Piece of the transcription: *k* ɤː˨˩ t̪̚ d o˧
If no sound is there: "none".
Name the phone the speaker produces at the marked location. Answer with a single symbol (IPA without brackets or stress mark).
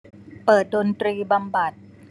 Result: p